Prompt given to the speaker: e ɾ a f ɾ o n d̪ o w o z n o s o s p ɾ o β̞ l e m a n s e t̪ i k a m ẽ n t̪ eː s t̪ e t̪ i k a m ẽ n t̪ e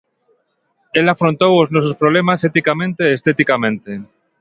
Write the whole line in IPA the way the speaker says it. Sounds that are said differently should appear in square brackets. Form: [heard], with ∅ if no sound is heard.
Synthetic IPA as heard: e [l] a f ɾ o n [t̪] o w o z n o s o s p ɾ o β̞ l e m a [∅] s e t̪ i k a m ẽ n t̪ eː s t̪ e t̪ i k a m ẽ n t̪ e

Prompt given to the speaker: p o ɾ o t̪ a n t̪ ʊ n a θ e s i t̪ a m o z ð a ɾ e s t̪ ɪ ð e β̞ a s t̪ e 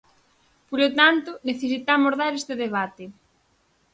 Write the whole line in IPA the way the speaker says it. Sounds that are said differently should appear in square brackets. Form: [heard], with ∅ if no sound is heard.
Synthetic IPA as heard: p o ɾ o t̪ a n t̪ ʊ n [e] θ e s i t̪ a m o z ð a ɾ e s t̪ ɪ ð e β̞ a [∅] t̪ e

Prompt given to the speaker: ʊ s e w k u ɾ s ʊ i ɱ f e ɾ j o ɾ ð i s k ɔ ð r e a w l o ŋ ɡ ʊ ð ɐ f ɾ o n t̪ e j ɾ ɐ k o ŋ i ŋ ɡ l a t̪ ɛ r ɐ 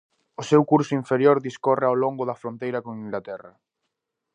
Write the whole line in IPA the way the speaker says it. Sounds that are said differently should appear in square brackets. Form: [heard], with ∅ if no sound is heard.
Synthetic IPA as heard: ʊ s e w k u ɾ s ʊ i ɱ f e ɾ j o ɾ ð i s k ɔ [∅] r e a w l o ŋ ɡ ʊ ð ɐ f ɾ o n t̪ e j ɾ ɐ k o ŋ i ŋ ɡ l a t̪ ɛ r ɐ

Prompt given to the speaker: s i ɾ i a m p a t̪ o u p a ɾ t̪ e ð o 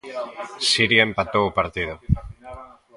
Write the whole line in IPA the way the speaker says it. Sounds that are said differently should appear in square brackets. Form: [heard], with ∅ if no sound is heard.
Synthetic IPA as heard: s i ɾ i [e] m p a t̪ o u p a ɾ t̪ [i] ð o

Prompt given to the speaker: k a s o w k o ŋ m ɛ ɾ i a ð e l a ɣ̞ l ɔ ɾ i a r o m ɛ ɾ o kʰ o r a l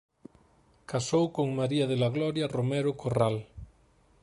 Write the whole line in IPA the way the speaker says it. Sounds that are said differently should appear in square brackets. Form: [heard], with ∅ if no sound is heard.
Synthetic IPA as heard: k a s o w k o ŋ m [a] ɾ i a ð e l a ɣ̞ l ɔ ɾ [j] a r o m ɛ ɾ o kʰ o r a l

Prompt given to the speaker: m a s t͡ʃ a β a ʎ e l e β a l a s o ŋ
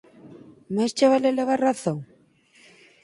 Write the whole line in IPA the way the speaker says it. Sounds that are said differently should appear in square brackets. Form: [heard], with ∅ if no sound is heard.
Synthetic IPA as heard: m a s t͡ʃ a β a [l] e l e β a [r] a [θ] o ŋ

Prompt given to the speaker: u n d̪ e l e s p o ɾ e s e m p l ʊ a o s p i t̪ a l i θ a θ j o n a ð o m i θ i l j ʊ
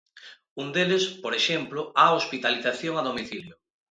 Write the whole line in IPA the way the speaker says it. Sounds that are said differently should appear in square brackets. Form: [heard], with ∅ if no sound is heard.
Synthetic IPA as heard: u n d̪ e l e s p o ɾ e [ʃ] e m p l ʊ a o s p i t̪ a l i θ a θ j o [ŋ] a ð o m i θ i l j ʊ

